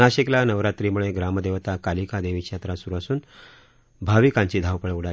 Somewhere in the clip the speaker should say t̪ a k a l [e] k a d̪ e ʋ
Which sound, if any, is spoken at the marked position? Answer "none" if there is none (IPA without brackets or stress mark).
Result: i